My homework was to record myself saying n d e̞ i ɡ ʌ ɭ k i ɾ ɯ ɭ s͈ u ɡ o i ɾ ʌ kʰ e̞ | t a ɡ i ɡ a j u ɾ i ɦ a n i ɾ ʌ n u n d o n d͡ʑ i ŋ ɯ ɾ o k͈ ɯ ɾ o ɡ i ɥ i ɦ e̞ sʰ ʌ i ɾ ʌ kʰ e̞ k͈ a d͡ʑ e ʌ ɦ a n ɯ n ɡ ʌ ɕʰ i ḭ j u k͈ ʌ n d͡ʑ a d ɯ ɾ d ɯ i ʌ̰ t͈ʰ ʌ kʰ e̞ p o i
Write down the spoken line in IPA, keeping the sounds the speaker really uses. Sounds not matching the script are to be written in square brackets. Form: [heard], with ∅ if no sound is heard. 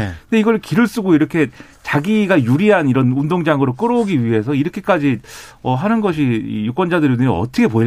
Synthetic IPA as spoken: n d e̞ i ɡ ʌ ɭ k i ɾ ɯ ɭ s͈ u ɡ o i ɾ ʌ kʰ e̞ | [t͡ɕ] a ɡ i ɡ a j u ɾ i ɦ a n i ɾ ʌ n u n d o [ŋ] d͡ʑ [a] ŋ ɯ ɾ o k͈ ɯ ɾ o ɡ i ɥ i ɦ e̞ sʰ ʌ i ɾ ʌ kʰ e̞ k͈ a d͡ʑ [i] ʌ ɦ a n ɯ n ɡ ʌ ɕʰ i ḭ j u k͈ ʌ n d͡ʑ a d ɯ ɾ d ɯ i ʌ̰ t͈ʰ ʌ kʰ e̞ p o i